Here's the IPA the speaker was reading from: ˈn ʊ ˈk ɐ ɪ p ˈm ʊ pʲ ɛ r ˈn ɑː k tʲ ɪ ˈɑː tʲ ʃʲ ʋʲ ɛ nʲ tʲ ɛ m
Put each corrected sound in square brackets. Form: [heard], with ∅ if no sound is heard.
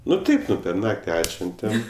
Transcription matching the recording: ˈn ʊ [ˈt] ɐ ɪ p [ˈn] ʊ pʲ ɛ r ˈn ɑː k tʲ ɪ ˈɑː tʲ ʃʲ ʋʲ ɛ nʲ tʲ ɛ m